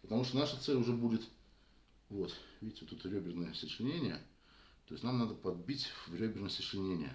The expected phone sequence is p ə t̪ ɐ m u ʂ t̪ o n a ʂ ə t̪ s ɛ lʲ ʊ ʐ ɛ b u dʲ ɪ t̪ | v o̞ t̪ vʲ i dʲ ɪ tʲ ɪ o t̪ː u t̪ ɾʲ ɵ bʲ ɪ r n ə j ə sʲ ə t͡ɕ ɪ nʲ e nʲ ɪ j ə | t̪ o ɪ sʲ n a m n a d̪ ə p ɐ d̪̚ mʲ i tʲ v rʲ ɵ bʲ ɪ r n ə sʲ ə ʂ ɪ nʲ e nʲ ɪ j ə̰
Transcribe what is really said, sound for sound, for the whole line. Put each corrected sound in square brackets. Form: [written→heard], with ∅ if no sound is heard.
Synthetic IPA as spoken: p ə t̪ ɐ m u ʂ t̪ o n a ʂ ə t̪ s ɛ lʲ ʊ ʐ ɛ b u dʲ ɪ t̪ | v o̞ t̪ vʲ i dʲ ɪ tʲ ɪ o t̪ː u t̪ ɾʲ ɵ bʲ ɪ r n ə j ə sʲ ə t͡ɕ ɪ nʲ e nʲ ɪ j ə | t̪ o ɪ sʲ n a m n a d̪ ə p ɐ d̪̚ [mʲ→bʲ] i tʲ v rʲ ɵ bʲ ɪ r n ə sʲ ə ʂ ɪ nʲ e nʲ ɪ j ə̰